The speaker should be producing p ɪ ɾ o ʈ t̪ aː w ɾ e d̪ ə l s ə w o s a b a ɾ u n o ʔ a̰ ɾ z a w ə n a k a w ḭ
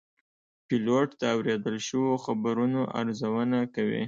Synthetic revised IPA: p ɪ l o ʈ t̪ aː w ɾ e d̪ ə l ʃ ə w o x a b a ɾ u n o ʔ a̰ ɾ z a w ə n a k a w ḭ